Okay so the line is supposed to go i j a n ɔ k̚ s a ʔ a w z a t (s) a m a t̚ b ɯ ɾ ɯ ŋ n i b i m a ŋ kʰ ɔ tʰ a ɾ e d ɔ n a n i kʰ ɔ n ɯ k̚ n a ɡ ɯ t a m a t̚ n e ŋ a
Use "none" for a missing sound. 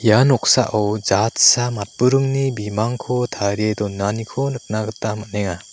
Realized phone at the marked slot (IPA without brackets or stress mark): s